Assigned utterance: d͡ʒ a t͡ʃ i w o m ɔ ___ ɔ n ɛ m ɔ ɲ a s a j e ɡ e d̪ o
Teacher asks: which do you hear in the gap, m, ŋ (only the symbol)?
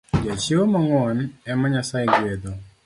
ŋ